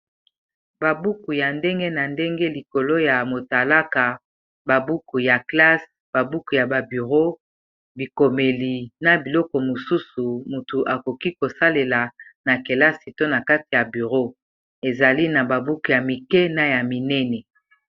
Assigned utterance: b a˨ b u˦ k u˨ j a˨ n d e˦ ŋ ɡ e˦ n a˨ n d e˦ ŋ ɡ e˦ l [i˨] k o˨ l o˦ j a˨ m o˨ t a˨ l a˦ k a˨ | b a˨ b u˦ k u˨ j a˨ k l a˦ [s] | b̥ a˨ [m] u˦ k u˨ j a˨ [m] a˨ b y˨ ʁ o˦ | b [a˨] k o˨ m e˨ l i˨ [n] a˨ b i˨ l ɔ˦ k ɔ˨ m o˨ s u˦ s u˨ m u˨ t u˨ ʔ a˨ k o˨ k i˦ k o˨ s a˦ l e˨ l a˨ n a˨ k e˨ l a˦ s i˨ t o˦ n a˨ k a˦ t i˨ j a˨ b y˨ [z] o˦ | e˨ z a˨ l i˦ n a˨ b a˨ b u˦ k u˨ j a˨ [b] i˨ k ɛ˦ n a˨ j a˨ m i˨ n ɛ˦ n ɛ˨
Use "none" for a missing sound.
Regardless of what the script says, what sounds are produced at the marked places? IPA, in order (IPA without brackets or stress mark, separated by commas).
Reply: i˨, s, b, b, i˨, n, ʁ, m